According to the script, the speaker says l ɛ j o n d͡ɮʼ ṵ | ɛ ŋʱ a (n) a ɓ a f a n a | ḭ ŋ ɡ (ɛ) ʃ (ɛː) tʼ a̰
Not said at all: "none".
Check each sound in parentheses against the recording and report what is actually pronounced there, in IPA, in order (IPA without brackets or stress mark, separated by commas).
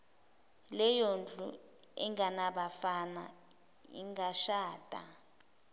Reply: n, a, aː